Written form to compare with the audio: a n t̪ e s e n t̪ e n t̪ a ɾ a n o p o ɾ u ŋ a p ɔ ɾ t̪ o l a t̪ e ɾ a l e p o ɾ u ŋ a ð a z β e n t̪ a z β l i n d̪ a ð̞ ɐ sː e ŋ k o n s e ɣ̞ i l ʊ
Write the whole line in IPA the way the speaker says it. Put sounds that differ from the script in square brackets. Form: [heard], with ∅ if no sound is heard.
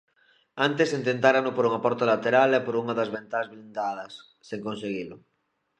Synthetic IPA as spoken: a n t̪ e s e n t̪ e n t̪ a ɾ a n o p o ɾ u ŋ a p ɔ ɾ t̪ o l a t̪ e ɾ a l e p o ɾ u ŋ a ð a z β e n t̪ a z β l i n d̪ a ð̞ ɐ sː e ŋ k o n s e ɣ̞ i l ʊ